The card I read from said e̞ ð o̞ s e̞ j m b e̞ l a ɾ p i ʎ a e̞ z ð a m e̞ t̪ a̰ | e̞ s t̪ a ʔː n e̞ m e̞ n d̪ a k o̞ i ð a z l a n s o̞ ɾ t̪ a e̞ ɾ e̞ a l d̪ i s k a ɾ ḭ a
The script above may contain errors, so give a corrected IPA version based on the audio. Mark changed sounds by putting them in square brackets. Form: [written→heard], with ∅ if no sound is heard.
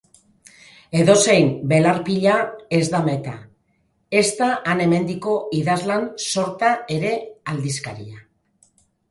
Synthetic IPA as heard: e̞ ð o̞ s e̞ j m b e̞ l a ɾ p i ʎ a e̞ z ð a m e̞ t̪ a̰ | e̞ s t̪ a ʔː n e̞ m e̞ n d̪ [a→i] k o̞ i ð a z l a n s o̞ ɾ t̪ a e̞ ɾ e̞ a l d̪ i s k a ɾ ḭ a

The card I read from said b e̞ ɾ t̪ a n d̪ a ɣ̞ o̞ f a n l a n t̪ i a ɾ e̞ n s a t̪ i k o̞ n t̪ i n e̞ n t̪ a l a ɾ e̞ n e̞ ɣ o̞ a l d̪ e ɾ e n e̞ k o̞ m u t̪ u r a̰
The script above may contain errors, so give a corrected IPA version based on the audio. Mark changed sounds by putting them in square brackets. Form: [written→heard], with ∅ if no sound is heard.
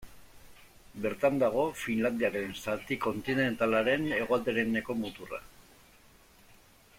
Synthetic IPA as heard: b e̞ ɾ t̪ a n d̪ a ɣ̞ o̞ f [a→i] n l a n [t̪→d̪] i a ɾ e̞ n s a t̪ i k o̞ n t̪ i n e̞ n t̪ a l a ɾ e̞ n e̞ ɣ o̞ a l d̪ e ɾ e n e̞ k o̞ m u t̪ u r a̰

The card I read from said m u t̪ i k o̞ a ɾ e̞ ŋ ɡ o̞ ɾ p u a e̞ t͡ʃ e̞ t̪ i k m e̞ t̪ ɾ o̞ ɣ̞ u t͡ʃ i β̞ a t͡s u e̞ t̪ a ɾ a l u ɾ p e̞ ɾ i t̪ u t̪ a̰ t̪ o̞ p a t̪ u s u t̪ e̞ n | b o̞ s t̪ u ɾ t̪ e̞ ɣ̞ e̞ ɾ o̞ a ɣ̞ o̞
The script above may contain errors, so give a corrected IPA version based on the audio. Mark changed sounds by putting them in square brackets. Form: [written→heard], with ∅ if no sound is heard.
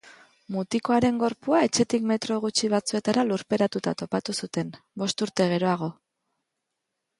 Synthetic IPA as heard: m u t̪ i k o̞ a ɾ e̞ ŋ ɡ o̞ ɾ p u a e̞ t͡ʃ e̞ t̪ i k m e̞ t̪ ɾ o̞ ɣ̞ u t͡ʃ i β̞ a t͡s u e̞ t̪ a ɾ a l u ɾ p e̞ ɾ [i→a] t̪ u t̪ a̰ t̪ o̞ p a t̪ u s u t̪ e̞ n | b o̞ s t̪ u ɾ t̪ e̞ ɣ̞ e̞ ɾ o̞ a ɣ̞ o̞

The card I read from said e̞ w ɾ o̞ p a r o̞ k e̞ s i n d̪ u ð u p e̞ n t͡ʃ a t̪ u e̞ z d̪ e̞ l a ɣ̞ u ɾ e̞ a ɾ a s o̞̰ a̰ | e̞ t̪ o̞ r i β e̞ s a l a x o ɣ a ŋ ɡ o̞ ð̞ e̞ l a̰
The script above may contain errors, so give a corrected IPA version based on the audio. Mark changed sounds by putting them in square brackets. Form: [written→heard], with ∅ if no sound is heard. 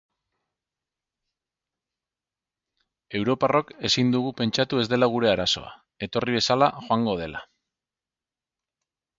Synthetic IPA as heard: e̞ w ɾ o̞ p a r o̞ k e̞ s i n d̪ u [ð→ɣ] u p e̞ n t͡ʃ a t̪ u e̞ z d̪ e̞ l a ɣ̞ u ɾ e̞ a ɾ a s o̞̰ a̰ | e̞ t̪ o̞ r i β e̞ s a l a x o [ɣ→∅] a ŋ ɡ o̞ ð̞ e̞ l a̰

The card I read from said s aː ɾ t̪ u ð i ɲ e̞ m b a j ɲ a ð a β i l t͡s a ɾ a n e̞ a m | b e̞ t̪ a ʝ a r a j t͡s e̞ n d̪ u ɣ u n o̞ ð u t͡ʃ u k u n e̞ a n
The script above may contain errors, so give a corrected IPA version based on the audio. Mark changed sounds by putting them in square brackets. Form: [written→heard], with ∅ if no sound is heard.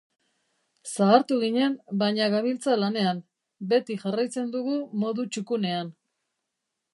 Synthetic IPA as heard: s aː ɾ t̪ u [ð→ɣ] i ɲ e̞ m b a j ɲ a [ð→ɣ] a β i l t͡s a [ɾ→l] a n e̞ a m | b e̞ t̪ [a→i] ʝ a r a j t͡s e̞ n d̪ u ɣ u [n→m] o̞ ð u t͡ʃ u k u n e̞ a n

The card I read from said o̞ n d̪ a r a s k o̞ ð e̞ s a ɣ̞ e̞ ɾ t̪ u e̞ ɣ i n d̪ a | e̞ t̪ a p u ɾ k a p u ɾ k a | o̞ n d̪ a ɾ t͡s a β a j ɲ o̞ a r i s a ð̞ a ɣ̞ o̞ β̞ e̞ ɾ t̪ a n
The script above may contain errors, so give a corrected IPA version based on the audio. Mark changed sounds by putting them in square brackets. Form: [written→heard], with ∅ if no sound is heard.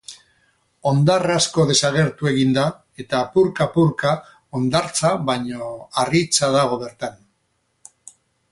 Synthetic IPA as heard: o̞ n d̪ a r a s k o̞ ð e̞ s a ɣ̞ e̞ ɾ t̪ u e̞ ɣ i n d̪ a | e̞ t̪ a p u ɾ k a p u ɾ k a | o̞ n d̪ a ɾ t͡s a β a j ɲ o̞ a r i [s→t͡s] a ð̞ a ɣ̞ o̞ β̞ e̞ ɾ t̪ a n

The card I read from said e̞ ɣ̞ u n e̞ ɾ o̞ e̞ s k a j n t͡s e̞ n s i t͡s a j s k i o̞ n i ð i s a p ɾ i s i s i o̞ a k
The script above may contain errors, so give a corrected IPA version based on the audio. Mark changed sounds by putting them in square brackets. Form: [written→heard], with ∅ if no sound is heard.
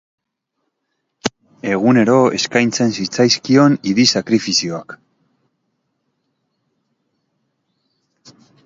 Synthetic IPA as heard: e̞ ɣ̞ u n e̞ ɾ o̞ e̞ s k a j n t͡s e̞ n s i t͡s a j s k i o̞ n i ð i s a [p→k] ɾ i [s→f] i s i o̞ a k

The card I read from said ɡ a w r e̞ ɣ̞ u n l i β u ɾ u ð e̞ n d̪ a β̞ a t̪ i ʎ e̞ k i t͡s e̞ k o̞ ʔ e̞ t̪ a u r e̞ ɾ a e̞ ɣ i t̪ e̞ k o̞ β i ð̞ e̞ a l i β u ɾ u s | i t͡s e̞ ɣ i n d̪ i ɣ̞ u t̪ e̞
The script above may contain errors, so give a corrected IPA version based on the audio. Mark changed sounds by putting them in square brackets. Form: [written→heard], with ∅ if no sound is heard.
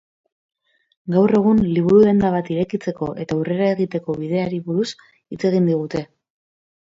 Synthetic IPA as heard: ɡ a w r e̞ ɣ̞ u n l i β u ɾ u ð e̞ n d̪ a β̞ a t̪ i [ʎ→ɾ] e̞ k i t͡s e̞ k o̞ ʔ e̞ t̪ a u r e̞ ɾ a e̞ ɣ i t̪ e̞ k o̞ β i ð̞ e̞ a [l→ɾ] i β u ɾ u s | i t͡s e̞ ɣ i n d̪ i ɣ̞ u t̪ e̞

